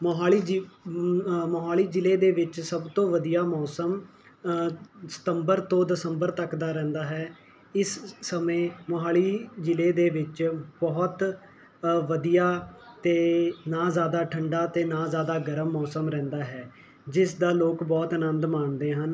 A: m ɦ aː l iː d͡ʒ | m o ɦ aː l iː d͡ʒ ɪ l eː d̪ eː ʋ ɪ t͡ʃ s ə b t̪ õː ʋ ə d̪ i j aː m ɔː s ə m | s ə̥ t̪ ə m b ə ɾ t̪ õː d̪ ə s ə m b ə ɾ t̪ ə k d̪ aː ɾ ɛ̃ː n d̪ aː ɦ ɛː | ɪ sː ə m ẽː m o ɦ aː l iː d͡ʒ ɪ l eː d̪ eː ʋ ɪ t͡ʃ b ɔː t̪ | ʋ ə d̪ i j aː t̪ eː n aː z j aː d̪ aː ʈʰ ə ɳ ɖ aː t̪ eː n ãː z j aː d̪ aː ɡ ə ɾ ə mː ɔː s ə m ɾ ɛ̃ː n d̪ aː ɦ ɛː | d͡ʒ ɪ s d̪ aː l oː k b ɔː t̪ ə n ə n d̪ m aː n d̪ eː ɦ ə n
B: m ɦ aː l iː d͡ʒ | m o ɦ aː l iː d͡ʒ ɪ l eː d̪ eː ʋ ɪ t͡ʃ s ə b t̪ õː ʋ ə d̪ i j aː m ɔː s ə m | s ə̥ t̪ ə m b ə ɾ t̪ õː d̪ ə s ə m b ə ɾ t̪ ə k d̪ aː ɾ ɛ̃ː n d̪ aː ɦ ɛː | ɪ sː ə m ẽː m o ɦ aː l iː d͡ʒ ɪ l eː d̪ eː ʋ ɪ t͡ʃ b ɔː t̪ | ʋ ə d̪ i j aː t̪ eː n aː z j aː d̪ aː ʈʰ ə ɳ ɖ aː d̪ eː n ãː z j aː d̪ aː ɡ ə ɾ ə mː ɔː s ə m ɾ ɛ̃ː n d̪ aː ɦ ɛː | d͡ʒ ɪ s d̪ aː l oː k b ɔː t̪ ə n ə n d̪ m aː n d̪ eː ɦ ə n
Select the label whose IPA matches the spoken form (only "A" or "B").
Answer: A